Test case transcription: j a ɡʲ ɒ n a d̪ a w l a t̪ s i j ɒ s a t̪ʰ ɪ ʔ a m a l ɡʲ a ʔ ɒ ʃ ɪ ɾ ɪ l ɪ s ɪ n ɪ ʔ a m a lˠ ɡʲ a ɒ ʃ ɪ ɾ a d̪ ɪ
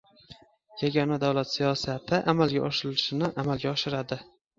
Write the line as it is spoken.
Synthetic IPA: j a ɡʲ ɒ n a d̪ a w l a t̪ s i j ɒ s a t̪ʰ ɪ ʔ a m a l ɡʲ a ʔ ɒ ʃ ɪ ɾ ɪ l ɪ ʃ ɪ n ɪ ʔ a m a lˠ ɡʲ a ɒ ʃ ɪ ɾ a d̪ ɪ

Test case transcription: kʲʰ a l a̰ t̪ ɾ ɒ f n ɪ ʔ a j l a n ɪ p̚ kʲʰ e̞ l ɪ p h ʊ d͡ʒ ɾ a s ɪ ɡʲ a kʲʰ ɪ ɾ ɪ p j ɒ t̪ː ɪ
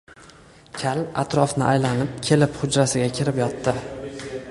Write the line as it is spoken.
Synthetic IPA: kʲʰ a l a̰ t̪ ɾ ɒ f n ɪ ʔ a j l a n ɪ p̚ kʲʰ e̞ l ɪ p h ʊ d͡ʒ ɾ a s ɪ ɡʲ a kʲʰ ɪ ɾ ɪ p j ɒ t̪ː ɪ

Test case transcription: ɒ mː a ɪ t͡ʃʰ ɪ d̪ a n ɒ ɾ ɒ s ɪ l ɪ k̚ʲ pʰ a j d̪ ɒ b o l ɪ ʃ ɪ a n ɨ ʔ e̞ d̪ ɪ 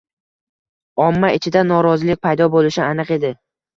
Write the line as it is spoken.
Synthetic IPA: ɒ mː a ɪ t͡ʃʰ ɪ d̪ a n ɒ ɾ ɒ z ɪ l ɪ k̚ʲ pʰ a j d̪ ɒ b o l ɪ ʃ ɪ a n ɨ q e̞ d̪ ɪ

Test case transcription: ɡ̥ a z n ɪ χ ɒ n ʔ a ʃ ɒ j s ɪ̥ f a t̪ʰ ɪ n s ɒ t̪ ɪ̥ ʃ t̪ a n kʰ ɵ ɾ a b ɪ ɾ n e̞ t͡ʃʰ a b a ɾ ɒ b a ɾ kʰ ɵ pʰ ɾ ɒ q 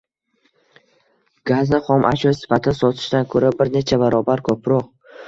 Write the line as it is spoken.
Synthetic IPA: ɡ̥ a z n ɪ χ ɒ m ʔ a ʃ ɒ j s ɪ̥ f a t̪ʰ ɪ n s ɒ t̪ʰ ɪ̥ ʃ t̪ a n kʰ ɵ ɾ a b ɪ ɾ n e̞ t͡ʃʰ a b a ɾ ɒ b a ɾ kʰ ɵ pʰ ɾ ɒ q

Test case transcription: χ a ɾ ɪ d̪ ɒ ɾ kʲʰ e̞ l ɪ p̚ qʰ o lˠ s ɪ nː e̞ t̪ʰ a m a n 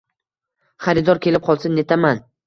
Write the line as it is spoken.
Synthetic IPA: χ a ɾ ɪ d̪ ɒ ɾ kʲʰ e̞ l ɪ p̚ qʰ ɒ lˠ s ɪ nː e̞ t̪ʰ a m a n

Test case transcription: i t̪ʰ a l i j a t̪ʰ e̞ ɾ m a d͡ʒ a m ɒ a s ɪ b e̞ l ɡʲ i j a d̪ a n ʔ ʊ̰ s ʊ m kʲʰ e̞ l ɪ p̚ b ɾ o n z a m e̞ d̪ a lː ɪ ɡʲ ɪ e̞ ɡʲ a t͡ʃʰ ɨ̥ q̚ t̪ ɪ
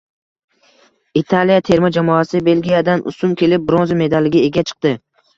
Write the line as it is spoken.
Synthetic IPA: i t̪ʰ a l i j a t̪ʰ e̞ ɾ m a d͡ʒ a m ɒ a s ɪ b e̞ l ɡʲ i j a d̪ a n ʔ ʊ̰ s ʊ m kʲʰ e̞ l ɪ p̚ b ɾ o n z a m e̞ d̪ a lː ɪ ɡʲ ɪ e̞ ɡʲ a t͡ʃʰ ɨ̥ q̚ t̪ ɪ

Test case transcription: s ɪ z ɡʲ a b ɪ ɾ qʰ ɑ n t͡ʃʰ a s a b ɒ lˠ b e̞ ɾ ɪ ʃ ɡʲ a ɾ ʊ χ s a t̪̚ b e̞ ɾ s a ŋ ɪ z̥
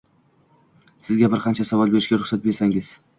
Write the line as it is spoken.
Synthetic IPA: s ɪ z ɡʲ a b ɪ ɾ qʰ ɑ n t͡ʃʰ a s a v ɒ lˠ b e̞ ɾ ɪ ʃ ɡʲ a ɾ ʊ χ s a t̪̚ b e̞ ɾ s a ŋ ɪ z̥

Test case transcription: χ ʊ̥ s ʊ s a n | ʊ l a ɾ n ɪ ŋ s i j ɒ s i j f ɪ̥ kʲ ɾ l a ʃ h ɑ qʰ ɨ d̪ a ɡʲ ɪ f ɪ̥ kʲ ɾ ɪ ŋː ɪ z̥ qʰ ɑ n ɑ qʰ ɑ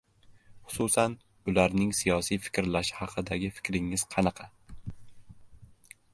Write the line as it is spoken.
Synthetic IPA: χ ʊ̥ s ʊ s a n | ʊ l a ɾ n ɪ ŋ s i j ɒ s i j f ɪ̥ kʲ ɾ l a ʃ h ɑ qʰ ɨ d̪ a ɡʲ ɪ f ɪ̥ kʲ ɾ ɪ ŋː ɪ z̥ qʰ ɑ n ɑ qʰ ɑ

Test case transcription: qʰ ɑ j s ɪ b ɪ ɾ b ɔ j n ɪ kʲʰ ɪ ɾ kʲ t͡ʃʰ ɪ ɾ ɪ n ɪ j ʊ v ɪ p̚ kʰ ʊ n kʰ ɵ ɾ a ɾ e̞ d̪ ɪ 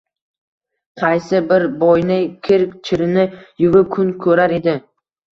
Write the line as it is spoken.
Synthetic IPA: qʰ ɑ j s ɪ b ɪ ɾ b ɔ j n ɪ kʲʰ ɪ ɾ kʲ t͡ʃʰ ɪ ɾ ɪ n ɪ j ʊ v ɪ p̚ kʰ ʊ n kʰ ɵ ɾ a ɾ e̞ d̪ ɪ

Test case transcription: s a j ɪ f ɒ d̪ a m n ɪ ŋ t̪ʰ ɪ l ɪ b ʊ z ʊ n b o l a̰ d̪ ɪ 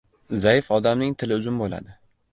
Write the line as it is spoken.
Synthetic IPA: z a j ɪ f ɒ d̪ a m n ɪ ŋ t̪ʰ ɪ l ɪ ʊ z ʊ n b o l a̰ d̪ ɪ

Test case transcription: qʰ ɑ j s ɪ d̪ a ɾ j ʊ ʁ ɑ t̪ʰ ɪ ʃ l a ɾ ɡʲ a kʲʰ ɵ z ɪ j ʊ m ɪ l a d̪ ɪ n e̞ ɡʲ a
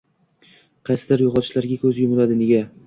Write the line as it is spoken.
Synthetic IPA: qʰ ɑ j s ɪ d̪ a ɾ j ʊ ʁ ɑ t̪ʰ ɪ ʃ l a ɾ ɡʲ a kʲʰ ɵ z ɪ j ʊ m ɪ l a d̪ ɪ n e̞ ɡʲ a

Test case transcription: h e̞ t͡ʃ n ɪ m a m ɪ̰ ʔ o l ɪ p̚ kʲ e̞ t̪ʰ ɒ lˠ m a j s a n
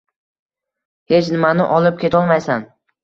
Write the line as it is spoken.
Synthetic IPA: h e̞ t͡ʃ n ɪ m a n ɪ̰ ʔ ɒ l ɪ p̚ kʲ e̞ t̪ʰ ɒ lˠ m a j s a n

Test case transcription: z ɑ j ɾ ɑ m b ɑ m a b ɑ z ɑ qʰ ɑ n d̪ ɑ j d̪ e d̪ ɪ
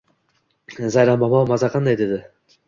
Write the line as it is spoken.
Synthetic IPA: z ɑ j ɾ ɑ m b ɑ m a m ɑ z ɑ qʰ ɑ n d̪ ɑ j d̪ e d̪ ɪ

